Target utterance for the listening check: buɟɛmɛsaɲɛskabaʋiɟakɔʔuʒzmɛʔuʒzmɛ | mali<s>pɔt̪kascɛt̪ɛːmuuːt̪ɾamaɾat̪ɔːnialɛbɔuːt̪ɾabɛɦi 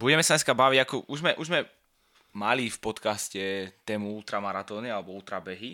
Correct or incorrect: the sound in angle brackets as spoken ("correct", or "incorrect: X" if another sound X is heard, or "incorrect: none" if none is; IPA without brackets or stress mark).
incorrect: f